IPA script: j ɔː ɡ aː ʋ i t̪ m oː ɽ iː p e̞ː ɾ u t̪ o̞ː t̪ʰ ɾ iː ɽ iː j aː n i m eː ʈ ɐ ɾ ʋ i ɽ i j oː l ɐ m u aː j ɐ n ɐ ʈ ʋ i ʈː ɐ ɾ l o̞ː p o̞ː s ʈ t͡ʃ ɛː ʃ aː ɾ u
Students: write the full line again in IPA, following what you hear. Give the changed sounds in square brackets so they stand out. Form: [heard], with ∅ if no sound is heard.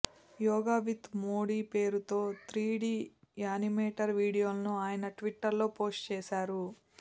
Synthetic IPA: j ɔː ɡ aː ʋ i t̪ m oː ɽ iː p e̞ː ɾ u t̪ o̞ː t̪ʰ ɾ iː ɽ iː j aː n i m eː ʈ ɐ ɾ ʋ [iː] ɽ i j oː l ɐ [n] u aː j ɐ n ɐ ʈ ʋ i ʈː ɐ ɾ l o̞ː p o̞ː s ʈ t͡ʃ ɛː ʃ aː ɾ u